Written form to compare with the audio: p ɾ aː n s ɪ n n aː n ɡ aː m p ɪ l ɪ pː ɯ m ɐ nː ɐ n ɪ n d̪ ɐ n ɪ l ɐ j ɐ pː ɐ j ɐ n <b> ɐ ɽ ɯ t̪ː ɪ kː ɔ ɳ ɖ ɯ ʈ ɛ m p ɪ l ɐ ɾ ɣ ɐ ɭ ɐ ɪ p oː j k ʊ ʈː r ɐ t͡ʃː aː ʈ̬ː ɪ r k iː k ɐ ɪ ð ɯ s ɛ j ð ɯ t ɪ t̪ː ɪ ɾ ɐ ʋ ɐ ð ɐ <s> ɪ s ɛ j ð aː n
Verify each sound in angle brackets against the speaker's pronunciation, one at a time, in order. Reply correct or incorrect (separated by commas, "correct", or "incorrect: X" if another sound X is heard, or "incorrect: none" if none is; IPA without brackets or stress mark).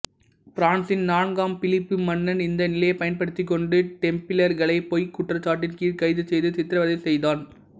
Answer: incorrect: p, incorrect: none